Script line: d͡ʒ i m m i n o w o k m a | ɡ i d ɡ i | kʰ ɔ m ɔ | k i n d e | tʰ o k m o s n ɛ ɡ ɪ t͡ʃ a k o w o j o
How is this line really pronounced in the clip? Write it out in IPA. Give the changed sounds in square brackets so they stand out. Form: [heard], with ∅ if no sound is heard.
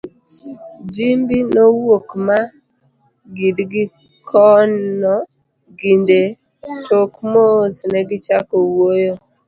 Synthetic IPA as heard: d͡ʒ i m [b] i n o w o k m a | ɡ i d ɡ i | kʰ ɔ [n] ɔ | [ɡ] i n d e | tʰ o k m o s n ɛ ɡ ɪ t͡ʃ a k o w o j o